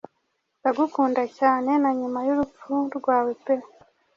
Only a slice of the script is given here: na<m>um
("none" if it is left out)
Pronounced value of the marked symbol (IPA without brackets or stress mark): ɲ